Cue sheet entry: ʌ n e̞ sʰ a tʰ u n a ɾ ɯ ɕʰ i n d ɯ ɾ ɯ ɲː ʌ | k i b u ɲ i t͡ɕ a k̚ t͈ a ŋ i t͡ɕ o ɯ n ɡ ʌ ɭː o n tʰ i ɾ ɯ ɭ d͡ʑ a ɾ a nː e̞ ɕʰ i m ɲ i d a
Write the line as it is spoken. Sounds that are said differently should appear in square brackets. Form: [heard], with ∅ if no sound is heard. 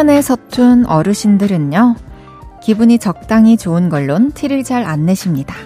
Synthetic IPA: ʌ n e̞ sʰ [ʌ] tʰ u n [ʌ] ɾ ɯ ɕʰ i n d ɯ ɾ ɯ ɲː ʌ | k i b u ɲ i t͡ɕ [ʌ] k̚ t͈ a ŋ i t͡ɕ o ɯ n ɡ ʌ ɭː o n tʰ i ɾ ɯ ɭ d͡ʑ a ɾ a nː e̞ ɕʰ i m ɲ i d a